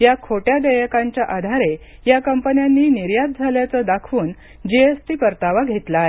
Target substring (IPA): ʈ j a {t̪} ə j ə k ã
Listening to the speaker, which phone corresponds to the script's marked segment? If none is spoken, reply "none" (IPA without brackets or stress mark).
d̪